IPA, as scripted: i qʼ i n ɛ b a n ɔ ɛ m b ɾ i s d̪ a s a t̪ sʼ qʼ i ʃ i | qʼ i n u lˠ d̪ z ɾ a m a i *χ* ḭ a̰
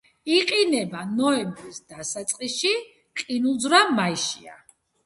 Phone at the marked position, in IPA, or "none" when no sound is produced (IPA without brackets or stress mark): ʃ